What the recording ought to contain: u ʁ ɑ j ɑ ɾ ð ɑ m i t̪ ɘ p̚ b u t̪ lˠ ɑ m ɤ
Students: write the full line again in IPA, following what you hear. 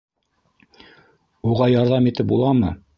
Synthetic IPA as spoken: u ʁ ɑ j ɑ ɾ ð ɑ m i t̪ ɘ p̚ b u lˠ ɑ m ɤ